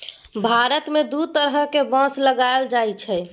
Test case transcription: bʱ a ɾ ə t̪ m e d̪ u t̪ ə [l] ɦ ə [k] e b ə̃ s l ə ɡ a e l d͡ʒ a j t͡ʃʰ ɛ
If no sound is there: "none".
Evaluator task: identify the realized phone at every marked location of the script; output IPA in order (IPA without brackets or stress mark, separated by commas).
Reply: ɾ, k